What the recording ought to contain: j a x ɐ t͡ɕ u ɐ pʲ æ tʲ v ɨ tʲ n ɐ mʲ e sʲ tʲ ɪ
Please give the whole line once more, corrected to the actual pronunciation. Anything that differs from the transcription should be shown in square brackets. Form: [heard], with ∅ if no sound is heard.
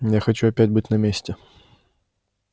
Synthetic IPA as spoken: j a x ɐ t͡ɕ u ɐ pʲ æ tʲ [b] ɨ tʲ n ɐ mʲ e sʲ tʲ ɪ